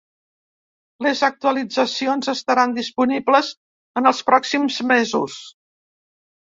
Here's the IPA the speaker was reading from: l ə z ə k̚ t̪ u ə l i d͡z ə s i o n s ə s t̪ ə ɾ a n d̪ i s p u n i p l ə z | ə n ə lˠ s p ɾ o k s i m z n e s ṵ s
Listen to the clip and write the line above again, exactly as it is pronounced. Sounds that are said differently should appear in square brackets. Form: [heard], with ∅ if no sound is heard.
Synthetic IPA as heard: l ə z ə k̚ t̪ u ə l i d͡z ə s i o n [z] ə s t̪ ə ɾ a n d̪ i s p u n i [b] l ə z | ə n ə lˠ s p ɾ [ɔ] k s i m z [m] e [z] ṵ s

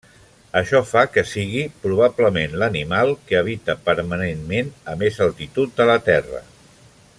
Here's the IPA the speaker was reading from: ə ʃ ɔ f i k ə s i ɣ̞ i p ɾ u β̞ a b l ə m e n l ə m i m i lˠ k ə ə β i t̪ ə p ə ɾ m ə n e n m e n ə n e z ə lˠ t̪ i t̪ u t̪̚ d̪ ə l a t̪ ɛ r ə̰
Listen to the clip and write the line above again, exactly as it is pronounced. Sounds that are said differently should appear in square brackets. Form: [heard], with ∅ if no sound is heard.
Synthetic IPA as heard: ə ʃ ɔ f [a] k ə s i ɣ̞ i p ɾ u β̞ a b l ə m e n l ə [n] i m [a] lˠ k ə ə β i t̪ ə p ə ɾ m ə n e n m e n ə [m] e z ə lˠ t̪ i t̪ u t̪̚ d̪ ə l [ə] t̪ ɛ r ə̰

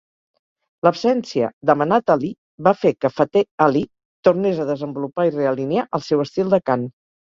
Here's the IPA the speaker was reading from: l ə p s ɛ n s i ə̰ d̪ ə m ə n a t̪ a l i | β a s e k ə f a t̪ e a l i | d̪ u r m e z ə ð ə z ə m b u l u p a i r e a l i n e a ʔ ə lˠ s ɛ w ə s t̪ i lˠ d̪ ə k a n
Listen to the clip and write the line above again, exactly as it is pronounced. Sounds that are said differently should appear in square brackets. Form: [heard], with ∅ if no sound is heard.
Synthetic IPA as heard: l ə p s ɛ n s i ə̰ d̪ ə m ə n a t̪ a l i | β a [f] e k ə f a t̪ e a l i | [t̪] u r [n] e z ə ð ə z ə m b u l u p a i r e [ə] l i n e a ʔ ə lˠ s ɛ w ə s t̪ i lˠ d̪ ə k a n

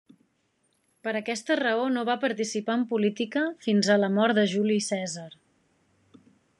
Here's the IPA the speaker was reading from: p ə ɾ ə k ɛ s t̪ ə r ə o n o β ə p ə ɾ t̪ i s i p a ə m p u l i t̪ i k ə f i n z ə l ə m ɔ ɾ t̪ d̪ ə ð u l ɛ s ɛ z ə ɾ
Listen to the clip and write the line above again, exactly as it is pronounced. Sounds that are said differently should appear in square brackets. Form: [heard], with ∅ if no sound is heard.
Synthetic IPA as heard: p ə ɾ ə k ɛ s t̪ ə r ə o n o β [a] p ə ɾ t̪ i s i p a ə m p u l i t̪ i k ə f i n z ə l ə m ɔ ɾ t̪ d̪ ə [ʒ] u l [i] s ɛ z ə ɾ

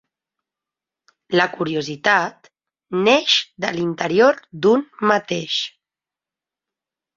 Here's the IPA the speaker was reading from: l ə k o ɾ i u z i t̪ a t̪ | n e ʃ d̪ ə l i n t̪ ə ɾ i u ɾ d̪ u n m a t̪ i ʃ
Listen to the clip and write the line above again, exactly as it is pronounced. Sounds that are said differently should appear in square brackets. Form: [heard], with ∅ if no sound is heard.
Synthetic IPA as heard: l ə k [u] ɾ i u z i t̪ a t̪ | n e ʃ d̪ ə l i n t̪ ə ɾ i [o] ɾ d̪ u n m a t̪ [e] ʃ

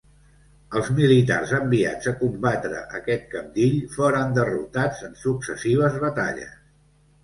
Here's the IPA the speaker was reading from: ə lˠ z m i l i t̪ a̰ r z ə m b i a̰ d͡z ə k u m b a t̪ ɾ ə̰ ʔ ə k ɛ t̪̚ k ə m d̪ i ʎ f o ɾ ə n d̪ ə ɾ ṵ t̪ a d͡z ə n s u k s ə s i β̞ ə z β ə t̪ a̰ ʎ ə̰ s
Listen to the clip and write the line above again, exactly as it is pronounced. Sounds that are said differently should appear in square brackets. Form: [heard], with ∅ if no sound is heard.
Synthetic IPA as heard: ə lˠ z m i l i t̪ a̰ r z ə m b i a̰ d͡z ə k u m b a t̪ ɾ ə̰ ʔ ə k ɛ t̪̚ k ə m d̪ i ʎ f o ɾ ə n d̪ ə [r] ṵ t̪ a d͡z ə n s u k s ə s i β̞ ə z β ə t̪ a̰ ʎ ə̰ s

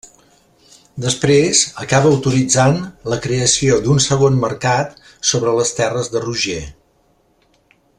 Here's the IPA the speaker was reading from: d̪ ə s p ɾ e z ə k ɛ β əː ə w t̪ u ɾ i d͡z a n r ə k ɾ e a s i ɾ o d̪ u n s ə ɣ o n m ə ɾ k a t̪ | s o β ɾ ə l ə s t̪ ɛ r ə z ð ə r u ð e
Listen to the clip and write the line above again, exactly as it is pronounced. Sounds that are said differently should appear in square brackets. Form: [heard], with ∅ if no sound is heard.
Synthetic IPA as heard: d̪ ə s p ɾ e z ə k [a] β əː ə w t̪ u ɾ i d͡z a n [l] ə k ɾ e [ə] s i [∅] o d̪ u n s ə ɣ o n m ə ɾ k a t̪ | s o β ɾ ə l ə s t̪ ɛ r ə z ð ə r u [ʒ] e

